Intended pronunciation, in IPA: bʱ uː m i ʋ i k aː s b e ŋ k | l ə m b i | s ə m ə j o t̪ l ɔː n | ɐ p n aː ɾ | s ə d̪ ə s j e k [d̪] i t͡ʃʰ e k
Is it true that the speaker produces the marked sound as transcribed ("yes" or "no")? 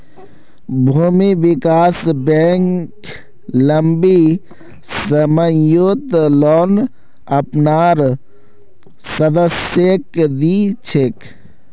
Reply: yes